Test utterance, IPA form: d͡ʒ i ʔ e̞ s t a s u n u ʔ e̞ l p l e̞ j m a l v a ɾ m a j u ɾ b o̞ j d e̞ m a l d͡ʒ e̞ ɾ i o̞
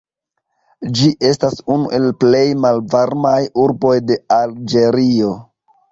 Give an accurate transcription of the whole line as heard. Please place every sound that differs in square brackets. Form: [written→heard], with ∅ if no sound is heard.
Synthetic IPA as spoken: d͡ʒ i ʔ e̞ s t a s u n u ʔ e̞ l p l e̞ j m a l v a ɾ m a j u ɾ b o̞ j d e̞ [m→∅] a l d͡ʒ e̞ ɾ i o̞